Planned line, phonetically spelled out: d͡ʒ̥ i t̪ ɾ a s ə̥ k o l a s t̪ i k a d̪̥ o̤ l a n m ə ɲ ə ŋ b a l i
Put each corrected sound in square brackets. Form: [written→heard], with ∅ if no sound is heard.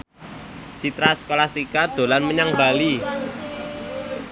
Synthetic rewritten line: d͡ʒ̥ i t̪ ɾ a s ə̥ k o l a s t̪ i k a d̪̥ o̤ l a n m ə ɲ [ə→a] ŋ b a l i